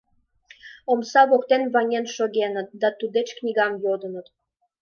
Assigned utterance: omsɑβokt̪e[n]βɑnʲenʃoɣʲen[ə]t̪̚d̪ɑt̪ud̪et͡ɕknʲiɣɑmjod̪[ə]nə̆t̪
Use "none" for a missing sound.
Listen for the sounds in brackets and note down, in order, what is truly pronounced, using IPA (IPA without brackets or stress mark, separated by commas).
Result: n, ə, ə